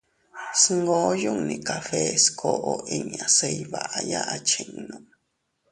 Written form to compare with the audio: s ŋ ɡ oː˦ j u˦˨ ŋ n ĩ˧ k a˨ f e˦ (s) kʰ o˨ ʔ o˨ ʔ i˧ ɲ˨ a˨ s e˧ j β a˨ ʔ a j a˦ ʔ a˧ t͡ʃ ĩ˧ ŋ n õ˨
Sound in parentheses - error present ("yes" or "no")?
no